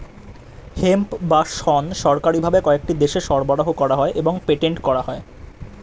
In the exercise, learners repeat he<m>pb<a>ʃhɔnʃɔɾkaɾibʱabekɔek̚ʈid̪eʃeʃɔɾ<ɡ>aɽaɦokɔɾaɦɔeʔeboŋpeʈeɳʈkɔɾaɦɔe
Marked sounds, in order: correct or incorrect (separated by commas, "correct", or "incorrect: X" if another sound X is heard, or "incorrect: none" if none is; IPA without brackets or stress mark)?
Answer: correct, correct, incorrect: b